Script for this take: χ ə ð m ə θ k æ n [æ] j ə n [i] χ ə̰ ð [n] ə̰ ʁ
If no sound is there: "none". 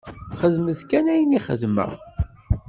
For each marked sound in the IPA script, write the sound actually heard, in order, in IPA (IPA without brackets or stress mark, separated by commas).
æ, i, m